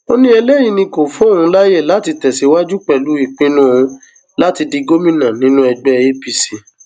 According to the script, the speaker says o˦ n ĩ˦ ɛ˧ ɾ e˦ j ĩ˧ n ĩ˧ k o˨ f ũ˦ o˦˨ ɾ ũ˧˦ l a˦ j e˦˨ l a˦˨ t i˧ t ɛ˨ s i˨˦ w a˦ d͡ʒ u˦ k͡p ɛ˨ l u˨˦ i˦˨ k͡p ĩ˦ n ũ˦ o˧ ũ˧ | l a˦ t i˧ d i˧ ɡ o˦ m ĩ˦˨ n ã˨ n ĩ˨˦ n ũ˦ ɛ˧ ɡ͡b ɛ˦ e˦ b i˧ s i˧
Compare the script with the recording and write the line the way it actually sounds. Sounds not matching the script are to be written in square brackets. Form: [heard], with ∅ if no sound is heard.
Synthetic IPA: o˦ n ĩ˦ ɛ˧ [l] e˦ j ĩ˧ n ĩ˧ k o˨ f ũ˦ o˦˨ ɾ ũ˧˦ l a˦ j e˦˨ l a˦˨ t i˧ t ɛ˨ s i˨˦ w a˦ d͡ʒ u˦ k͡p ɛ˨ l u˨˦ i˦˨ k͡p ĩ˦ n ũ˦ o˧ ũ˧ | l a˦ t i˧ d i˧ ɡ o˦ m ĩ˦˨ n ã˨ n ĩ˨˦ n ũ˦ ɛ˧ ɡ͡b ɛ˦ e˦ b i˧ s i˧

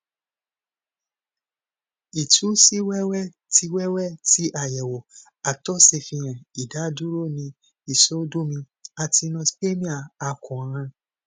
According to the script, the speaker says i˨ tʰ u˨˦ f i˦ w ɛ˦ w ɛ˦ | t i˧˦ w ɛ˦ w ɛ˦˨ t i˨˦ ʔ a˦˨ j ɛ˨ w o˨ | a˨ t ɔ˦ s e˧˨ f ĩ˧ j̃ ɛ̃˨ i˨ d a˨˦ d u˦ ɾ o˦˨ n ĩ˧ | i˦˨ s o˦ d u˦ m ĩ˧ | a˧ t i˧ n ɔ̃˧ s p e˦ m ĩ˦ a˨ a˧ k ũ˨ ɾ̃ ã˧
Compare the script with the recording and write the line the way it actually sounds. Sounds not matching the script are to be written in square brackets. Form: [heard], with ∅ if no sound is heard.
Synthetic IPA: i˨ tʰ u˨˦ [s] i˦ w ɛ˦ w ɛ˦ | t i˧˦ w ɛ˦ w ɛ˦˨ t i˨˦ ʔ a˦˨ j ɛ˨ w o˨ | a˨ t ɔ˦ s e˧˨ f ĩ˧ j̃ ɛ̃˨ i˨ d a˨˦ d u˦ ɾ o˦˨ n ĩ˧ | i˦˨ s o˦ d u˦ m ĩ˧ | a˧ t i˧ n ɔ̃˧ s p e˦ m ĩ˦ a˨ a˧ k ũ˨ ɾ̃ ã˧

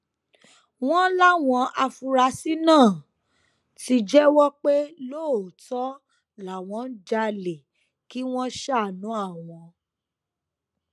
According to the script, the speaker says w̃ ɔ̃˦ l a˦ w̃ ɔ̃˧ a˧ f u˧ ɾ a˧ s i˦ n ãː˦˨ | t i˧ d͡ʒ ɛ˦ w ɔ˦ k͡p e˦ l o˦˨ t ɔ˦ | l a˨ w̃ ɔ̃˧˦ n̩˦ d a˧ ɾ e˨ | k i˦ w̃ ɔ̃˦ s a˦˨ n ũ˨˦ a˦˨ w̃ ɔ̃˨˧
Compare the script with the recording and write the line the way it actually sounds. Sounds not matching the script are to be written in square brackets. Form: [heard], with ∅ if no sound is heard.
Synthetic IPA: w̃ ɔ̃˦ l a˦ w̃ ɔ̃˧ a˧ f u˧ ɾ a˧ s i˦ n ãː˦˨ | t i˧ d͡ʒ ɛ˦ w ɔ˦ k͡p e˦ l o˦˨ t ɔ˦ | l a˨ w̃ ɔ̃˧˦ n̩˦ [d͡ʒ] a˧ [l] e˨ | k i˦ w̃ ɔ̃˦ [ʃ] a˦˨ n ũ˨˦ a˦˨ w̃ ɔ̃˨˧

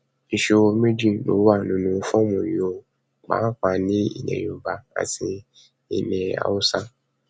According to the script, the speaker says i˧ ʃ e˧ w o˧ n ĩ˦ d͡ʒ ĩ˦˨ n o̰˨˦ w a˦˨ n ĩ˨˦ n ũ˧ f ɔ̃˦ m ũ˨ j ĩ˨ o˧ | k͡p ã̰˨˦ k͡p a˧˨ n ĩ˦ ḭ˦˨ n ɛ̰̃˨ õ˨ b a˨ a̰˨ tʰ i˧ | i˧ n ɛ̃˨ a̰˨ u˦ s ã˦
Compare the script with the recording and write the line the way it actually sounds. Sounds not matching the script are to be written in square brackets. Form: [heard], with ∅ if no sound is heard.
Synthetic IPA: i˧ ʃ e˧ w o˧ [m] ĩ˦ d͡ʒ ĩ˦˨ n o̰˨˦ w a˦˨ n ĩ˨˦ n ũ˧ f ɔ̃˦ m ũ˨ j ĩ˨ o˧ | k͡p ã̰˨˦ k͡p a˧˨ n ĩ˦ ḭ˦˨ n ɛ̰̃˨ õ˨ b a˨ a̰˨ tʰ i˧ | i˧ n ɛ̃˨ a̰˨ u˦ s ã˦

